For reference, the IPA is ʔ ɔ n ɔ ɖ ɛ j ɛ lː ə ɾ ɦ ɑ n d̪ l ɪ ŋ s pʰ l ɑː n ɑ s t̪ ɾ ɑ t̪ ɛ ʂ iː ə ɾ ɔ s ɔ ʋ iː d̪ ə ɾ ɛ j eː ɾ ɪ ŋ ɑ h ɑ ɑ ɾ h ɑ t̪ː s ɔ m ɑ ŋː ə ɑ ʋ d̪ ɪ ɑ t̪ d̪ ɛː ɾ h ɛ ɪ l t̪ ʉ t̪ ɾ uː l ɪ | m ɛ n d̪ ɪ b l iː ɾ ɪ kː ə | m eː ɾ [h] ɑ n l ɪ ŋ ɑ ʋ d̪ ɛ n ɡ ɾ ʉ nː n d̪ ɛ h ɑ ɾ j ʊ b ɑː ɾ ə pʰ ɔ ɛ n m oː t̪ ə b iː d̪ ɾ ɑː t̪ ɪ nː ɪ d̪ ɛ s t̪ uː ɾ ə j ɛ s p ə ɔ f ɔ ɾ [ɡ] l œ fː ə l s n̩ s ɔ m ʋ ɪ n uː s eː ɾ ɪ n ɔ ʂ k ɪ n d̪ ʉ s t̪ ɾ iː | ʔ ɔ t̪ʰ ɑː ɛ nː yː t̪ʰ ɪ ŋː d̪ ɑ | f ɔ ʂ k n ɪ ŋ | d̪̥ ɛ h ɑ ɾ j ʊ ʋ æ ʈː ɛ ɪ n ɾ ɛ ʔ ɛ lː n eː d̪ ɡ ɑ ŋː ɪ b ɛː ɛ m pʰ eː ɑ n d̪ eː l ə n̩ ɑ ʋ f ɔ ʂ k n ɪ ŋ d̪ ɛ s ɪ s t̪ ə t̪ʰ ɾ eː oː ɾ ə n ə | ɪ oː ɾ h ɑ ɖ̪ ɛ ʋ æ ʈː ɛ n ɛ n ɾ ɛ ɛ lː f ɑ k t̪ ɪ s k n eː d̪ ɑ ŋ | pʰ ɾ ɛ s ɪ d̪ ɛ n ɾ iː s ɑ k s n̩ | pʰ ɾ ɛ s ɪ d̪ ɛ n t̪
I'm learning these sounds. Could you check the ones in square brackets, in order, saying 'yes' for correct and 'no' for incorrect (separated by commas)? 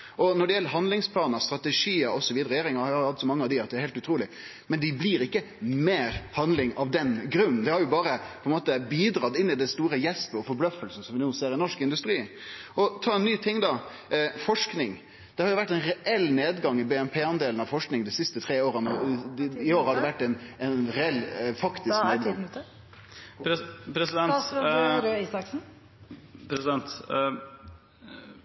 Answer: yes, no